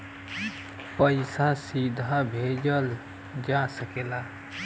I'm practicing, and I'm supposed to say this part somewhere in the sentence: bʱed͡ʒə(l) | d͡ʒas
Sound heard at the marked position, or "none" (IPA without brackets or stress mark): l